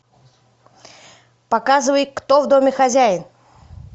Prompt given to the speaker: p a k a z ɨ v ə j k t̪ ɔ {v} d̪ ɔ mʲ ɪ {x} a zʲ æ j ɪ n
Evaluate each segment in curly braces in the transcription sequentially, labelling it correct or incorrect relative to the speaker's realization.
correct, correct

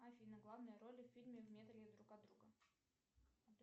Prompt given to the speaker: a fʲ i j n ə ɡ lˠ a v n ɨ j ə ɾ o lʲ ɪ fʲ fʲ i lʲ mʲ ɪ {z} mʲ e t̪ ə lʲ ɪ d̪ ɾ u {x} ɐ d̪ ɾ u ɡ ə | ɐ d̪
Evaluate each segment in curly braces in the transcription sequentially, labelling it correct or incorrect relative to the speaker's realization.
incorrect: v, incorrect: k

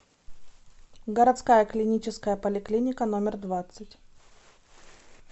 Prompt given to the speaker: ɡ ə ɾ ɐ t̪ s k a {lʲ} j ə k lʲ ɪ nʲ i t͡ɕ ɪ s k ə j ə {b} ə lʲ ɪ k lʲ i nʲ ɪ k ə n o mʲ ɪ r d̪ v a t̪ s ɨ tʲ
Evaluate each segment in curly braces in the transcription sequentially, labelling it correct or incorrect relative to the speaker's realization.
incorrect: none, incorrect: p

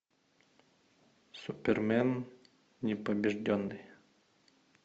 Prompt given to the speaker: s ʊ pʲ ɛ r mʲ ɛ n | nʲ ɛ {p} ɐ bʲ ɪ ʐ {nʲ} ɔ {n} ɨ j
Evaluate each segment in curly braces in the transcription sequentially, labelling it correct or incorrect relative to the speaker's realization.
correct, incorrect: dʲ, incorrect: nː

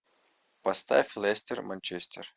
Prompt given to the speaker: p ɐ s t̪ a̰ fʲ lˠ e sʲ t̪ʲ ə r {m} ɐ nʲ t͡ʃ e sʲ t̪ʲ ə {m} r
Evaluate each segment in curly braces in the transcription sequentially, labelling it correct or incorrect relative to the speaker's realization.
correct, incorrect: none

